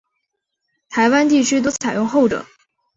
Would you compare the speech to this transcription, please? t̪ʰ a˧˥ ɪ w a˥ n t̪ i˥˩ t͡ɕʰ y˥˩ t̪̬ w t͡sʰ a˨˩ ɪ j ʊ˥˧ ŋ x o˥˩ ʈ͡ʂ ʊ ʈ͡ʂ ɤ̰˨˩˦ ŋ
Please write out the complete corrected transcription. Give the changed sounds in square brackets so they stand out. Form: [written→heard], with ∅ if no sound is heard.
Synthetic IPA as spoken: t̪ʰ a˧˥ ɪ w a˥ n t̪ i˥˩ t͡ɕʰ [y˥˩→y˥] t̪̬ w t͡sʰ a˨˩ ɪ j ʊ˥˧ ŋ x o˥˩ [ʈ͡ʂ→∅] ʊ ʈ͡ʂ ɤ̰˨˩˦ ŋ